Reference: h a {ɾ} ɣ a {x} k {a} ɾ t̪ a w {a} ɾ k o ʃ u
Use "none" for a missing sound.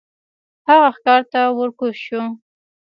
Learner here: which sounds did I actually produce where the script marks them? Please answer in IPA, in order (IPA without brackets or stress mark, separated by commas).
none, x, ɑ, ə